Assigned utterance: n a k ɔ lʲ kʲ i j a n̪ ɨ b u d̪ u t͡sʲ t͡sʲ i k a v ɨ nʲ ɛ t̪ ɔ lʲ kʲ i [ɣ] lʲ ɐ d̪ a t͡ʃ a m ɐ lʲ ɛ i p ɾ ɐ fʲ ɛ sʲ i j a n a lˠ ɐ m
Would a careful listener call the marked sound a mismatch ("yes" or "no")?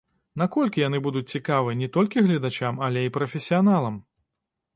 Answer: no